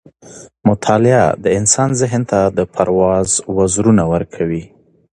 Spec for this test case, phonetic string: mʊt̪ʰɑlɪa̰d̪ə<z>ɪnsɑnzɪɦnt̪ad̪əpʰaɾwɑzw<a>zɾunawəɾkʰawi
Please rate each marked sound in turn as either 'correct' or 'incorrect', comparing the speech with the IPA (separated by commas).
incorrect, correct